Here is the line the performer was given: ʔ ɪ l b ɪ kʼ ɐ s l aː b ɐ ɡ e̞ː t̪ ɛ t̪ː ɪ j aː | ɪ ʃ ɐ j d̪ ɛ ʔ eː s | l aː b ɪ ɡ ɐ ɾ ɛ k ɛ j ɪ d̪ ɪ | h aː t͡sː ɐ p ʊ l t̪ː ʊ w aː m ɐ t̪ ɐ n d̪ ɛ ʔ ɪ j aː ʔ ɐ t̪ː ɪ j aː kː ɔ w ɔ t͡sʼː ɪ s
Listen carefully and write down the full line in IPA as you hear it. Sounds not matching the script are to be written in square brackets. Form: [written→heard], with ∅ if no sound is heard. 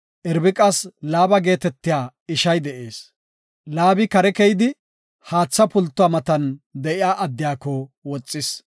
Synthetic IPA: ʔ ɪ [l→ɾ] b ɪ kʼ ɐ s l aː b ɐ ɡ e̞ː t̪ ɛ t̪ː ɪ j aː | ɪ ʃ ɐ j d̪ ɛ ʔ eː s | l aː b ɪ [ɡ→k] ɐ ɾ ɛ k ɛ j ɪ d̪ ɪ | h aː t͡sː ɐ p ʊ l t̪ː ʊ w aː m ɐ t̪ ɐ n d̪ ɛ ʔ ɪ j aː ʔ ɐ [t̪ː→d̪ː] ɪ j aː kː ɔ w ɔ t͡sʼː ɪ s